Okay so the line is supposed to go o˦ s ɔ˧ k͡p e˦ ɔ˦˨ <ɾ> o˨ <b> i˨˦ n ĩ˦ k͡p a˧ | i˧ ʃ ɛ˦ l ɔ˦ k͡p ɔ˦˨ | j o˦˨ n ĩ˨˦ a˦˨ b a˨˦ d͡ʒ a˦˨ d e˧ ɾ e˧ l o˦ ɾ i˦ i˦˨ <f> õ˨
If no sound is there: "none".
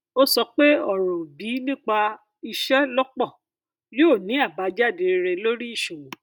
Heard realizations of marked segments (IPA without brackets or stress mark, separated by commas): ɾ, b, ʃ